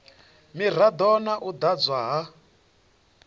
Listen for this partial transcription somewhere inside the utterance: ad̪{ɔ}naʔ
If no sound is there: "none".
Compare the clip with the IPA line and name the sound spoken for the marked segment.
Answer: ɔ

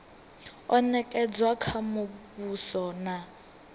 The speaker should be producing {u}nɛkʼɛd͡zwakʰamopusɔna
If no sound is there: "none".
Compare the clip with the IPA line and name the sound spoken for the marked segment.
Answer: ɔ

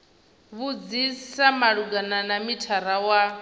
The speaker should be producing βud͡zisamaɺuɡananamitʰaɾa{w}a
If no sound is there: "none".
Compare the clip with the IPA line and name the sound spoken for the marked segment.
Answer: w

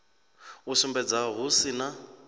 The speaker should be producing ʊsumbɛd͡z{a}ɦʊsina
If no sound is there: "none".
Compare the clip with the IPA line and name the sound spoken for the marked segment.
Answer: a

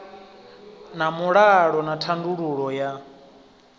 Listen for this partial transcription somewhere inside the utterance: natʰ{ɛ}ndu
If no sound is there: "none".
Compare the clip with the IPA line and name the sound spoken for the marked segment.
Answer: a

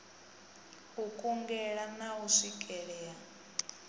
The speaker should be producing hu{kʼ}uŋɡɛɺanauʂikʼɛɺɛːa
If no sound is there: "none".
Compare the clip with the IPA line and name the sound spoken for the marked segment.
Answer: kʼ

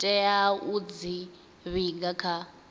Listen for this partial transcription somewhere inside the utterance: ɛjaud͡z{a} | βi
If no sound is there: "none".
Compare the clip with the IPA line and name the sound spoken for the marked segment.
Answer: i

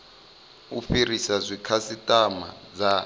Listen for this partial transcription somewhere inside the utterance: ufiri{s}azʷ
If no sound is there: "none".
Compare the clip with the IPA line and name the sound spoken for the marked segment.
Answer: s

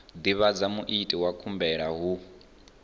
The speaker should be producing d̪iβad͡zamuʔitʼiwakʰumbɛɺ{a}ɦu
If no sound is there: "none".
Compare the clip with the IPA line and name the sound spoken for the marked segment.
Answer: a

